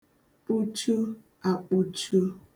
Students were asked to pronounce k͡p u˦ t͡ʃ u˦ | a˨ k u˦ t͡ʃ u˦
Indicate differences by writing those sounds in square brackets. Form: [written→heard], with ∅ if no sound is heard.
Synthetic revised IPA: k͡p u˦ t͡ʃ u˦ | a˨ [k→k͡p] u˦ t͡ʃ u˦